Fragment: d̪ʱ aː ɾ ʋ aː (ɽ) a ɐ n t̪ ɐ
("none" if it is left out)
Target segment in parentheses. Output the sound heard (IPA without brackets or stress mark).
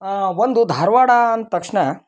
ɽ